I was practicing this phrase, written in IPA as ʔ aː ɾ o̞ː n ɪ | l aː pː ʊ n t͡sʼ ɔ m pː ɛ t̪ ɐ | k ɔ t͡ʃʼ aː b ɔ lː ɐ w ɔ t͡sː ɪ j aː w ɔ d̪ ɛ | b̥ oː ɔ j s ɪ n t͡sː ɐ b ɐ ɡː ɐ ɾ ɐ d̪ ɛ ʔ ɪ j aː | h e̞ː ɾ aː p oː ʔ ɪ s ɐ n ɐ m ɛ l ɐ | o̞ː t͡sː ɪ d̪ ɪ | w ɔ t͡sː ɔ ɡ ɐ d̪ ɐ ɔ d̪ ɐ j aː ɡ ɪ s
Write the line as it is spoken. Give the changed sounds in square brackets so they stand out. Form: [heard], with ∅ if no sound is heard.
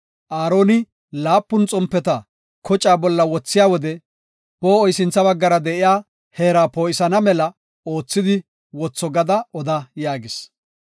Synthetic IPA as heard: ʔ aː ɾ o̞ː n ɪ | l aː pː ʊ n t͡sʼ ɔ m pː ɛ t̪ ɐ | k ɔ t͡ʃʼ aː b ɔ lː ɐ w ɔ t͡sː ɪ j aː w ɔ d̪ ɛ | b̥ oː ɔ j s ɪ n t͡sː ɐ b ɐ ɡː ɐ ɾ ɐ d̪ ɛ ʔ ɪ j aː | h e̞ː ɾ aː p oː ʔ ɪ s ɐ n ɐ m ɛ l ɐ | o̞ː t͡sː ɪ d̪ ɪ | w ɔ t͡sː ɔ ɡ ɐ d̪ ɐ ɔ d̪ ɐ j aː ɡ ɪ s

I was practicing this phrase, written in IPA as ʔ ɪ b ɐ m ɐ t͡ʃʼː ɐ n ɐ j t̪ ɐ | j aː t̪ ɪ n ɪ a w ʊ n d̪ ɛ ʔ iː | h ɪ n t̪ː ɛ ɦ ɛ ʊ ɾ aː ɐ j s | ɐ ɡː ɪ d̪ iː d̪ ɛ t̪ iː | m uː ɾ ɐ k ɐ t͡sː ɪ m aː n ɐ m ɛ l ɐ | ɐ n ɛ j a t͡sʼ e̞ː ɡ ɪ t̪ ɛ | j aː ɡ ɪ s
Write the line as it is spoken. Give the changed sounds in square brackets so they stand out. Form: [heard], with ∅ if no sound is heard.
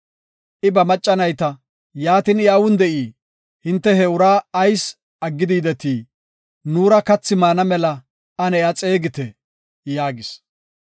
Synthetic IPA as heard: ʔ ɪ b ɐ m ɐ t͡ʃʼː ɐ n ɐ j t̪ ɐ | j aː t̪ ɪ n ɪ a w ʊ n d̪ ɛ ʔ iː | h ɪ n t̪ː ɛ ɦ ɛ ʊ ɾ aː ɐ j s | ɐ ɡː ɪ d̪ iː d̪ ɛ t̪ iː | [n] uː ɾ ɐ k ɐ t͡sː ɪ m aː n ɐ m ɛ l ɐ | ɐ n ɛ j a t͡sʼ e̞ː ɡ ɪ t̪ ɛ | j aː ɡ ɪ s

